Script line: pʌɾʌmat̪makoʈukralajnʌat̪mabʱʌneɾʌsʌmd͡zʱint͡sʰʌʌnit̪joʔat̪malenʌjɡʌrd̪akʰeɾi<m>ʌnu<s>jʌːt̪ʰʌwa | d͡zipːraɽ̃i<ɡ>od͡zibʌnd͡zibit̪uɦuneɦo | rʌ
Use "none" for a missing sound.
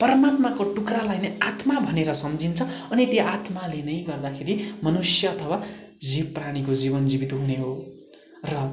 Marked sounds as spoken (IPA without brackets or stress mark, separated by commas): m, s, k